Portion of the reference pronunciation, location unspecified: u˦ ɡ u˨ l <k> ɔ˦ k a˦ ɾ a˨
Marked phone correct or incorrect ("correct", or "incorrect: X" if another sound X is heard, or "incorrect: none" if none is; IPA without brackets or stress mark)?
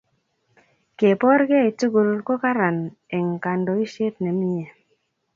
correct